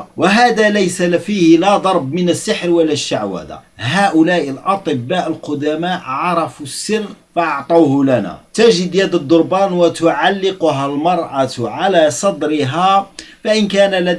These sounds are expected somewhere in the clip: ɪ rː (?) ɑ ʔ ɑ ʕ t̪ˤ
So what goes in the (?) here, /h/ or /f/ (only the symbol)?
f